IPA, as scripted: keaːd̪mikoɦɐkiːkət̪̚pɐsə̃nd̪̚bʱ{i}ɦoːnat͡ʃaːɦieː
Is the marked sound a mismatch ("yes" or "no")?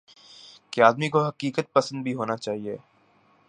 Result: no